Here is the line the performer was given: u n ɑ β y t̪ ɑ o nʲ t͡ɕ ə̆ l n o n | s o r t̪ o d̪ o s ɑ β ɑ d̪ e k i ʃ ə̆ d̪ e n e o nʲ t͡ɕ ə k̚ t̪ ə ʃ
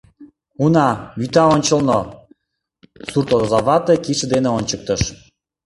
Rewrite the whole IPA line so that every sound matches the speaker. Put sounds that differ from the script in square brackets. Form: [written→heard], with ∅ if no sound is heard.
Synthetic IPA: u n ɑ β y t̪ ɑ o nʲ t͡ɕ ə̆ l n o [n→∅] | s [o→u] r t̪ o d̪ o [s→z] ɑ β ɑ [d̪→t̪] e k i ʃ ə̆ d̪ e n e o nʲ t͡ɕ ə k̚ t̪ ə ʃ